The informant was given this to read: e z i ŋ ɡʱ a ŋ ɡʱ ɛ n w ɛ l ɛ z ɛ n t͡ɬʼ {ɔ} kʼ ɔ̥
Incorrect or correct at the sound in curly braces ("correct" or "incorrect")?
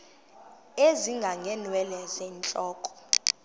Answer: incorrect